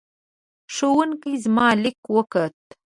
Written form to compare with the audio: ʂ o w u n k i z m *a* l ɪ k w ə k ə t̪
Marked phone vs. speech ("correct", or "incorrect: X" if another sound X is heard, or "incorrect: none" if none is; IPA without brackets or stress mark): incorrect: ɑ